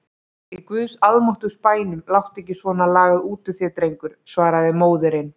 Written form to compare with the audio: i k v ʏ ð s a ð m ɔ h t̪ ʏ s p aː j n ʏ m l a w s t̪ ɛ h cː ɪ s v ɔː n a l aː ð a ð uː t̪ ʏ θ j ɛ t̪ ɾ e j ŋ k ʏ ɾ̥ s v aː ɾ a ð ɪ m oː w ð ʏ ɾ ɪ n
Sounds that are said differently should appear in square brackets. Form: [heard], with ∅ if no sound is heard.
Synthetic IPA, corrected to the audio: i k v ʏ ð s a ð m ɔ h t̪ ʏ s p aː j n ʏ m l a w [h] t̪ ɛ h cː ɪ s v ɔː n a l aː [ɣ] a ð uː t̪ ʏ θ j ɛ t̪ ɾ e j ŋ k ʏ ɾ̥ s v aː ɾ a ð ɪ m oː w ð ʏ ɾ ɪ n